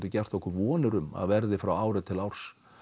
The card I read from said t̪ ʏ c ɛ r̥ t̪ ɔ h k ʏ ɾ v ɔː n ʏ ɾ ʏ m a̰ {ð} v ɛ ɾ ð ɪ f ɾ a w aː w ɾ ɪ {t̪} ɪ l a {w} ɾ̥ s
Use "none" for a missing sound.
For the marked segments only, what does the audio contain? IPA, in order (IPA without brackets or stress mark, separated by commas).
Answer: ð, t̪ʰ, w